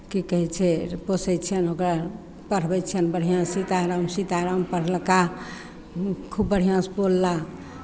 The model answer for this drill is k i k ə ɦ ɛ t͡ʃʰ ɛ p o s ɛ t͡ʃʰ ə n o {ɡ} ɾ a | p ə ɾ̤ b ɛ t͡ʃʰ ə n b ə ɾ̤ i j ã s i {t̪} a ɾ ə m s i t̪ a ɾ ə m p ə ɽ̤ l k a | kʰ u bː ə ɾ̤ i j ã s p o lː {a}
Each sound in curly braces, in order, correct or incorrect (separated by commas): incorrect, correct, correct